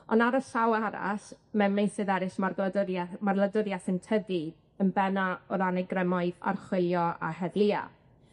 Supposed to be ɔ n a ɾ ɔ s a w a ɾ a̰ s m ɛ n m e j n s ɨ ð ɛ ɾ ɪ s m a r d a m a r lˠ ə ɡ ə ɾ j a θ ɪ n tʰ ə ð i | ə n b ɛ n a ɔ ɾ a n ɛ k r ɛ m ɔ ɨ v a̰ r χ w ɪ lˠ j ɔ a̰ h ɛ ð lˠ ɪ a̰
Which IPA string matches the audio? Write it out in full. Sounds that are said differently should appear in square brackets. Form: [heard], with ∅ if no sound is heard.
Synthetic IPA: ɔ n a ɾ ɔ s a w a ɾ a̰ s m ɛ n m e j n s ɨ ð ɛ ɾ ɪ s m a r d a m a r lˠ ə [d] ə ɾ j a θ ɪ n tʰ ə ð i | ə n b ɛ n a ɔ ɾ a n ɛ [ɡ] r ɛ m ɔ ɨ [ð] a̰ r χ w ɪ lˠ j ɔ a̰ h ɛ ð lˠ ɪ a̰